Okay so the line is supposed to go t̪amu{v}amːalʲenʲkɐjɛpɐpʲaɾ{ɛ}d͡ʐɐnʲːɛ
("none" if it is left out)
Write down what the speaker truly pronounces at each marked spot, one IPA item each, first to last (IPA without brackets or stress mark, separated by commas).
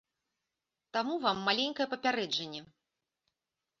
v, ɛ